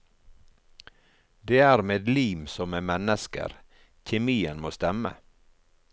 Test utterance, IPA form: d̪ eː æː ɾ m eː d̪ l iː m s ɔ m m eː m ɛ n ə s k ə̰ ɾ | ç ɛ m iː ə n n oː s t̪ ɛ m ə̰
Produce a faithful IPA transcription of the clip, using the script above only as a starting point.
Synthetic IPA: d̪ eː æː ɾ m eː d̪ l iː m s ɔ m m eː m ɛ n ə s k ə̰ ɾ | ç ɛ m iː ə n m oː s t̪ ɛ m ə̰